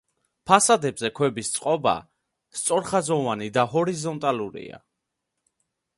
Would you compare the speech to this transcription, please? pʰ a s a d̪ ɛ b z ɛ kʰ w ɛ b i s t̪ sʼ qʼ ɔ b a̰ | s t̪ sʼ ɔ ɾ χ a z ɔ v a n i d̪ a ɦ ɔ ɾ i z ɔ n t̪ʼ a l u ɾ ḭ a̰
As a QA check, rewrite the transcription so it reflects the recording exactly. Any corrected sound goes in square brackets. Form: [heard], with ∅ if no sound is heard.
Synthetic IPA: pʰ a s a d̪ ɛ b z ɛ kʰ w ɛ b i s t̪ sʼ qʼ ɔ b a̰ | s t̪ sʼ ɔ ɾ χ a z ɔ v a n i d̪ a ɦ ɔ ɾ i z ɔ n t̪ʼ a l u ɾ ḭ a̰